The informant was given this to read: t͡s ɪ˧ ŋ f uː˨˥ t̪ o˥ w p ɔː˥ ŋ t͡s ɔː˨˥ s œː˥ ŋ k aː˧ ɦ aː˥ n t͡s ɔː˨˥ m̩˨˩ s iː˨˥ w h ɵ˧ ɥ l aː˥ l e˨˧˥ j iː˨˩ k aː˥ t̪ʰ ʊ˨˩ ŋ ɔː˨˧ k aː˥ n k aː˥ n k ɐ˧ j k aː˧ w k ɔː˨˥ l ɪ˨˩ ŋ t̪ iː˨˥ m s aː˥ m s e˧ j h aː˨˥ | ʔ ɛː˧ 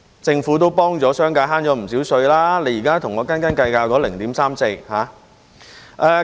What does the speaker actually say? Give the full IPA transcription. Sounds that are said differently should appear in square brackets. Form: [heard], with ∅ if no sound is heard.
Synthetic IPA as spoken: t͡s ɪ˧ ŋ f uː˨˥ t̪ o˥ w p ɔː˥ ŋ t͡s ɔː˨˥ s œː˥ ŋ k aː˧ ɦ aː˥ n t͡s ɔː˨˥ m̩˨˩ s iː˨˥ w [s] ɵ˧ ɥ l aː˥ l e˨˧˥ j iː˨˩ k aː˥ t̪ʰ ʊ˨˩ ŋ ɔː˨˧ k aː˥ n k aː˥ n k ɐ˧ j k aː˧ w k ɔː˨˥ l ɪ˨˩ ŋ t̪ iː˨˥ m s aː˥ m s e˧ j h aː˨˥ | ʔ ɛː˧